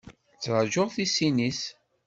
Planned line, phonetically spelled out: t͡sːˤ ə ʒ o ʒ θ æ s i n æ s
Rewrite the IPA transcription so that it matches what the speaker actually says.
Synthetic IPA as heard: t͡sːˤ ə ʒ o ʁ θ i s i n i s